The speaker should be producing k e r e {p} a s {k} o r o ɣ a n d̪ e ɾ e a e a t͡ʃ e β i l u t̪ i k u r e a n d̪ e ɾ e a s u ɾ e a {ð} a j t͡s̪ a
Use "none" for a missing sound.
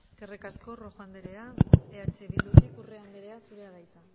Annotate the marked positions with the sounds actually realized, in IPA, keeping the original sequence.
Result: k, k, ɣ

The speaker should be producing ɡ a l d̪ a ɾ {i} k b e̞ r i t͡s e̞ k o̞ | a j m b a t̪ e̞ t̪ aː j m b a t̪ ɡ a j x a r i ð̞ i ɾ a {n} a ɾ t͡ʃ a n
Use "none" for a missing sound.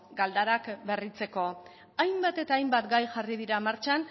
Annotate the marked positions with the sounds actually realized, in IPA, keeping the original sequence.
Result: a, m

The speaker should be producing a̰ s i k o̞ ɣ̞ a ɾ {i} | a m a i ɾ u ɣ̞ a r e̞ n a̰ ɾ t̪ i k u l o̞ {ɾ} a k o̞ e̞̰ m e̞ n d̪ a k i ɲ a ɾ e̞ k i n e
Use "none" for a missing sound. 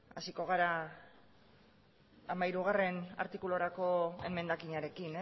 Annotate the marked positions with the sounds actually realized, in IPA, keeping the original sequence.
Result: a, ɾ

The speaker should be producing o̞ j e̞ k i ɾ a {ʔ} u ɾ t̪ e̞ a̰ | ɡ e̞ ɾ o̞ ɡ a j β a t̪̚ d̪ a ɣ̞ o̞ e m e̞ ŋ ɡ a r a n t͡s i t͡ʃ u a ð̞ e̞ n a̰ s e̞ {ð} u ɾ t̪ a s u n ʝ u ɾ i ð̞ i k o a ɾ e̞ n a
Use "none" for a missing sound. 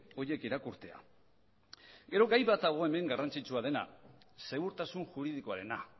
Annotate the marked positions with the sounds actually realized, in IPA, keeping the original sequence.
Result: k, ɣ

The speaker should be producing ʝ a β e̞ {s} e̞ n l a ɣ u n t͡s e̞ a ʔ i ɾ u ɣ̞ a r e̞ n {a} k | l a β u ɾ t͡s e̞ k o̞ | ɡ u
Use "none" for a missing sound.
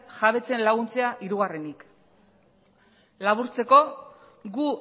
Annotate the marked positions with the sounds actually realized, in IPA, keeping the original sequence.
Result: t͡s, i

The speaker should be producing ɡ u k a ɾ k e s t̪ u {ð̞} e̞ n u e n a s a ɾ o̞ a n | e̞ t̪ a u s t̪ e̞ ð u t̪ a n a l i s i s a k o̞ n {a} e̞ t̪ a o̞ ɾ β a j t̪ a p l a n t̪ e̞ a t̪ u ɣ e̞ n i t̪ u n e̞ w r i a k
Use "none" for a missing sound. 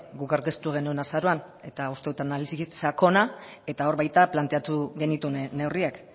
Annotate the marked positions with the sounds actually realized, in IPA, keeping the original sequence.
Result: ɣ̞, a

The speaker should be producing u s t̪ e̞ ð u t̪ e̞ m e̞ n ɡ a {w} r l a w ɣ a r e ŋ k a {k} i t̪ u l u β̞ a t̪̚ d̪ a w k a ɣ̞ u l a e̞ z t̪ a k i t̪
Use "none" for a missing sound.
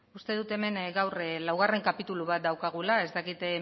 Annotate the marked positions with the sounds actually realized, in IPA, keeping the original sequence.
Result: w, p

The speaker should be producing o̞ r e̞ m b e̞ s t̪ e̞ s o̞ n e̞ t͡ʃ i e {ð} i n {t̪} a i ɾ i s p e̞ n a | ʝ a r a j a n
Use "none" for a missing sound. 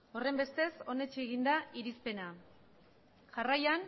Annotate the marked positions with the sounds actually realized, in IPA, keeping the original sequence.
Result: ɣ, d̪

